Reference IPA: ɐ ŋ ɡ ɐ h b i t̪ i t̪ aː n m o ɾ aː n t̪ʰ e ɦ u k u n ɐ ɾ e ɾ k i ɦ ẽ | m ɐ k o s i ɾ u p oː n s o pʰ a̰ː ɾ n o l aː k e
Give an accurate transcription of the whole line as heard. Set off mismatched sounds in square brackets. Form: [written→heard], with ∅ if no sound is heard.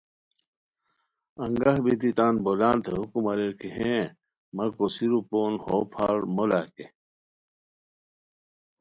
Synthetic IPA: ɐ ŋ ɡ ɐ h b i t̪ i t̪ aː n [m→b] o [ɾ→l] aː n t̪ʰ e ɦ u k u [n→m] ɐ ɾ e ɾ k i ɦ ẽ | m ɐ k o s i ɾ u p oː n [s→h] o pʰ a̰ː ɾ [n→m] o l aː k e